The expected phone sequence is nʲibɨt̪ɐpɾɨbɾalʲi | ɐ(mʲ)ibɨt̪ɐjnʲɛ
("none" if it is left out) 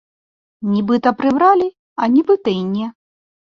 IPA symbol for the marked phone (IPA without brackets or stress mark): nʲ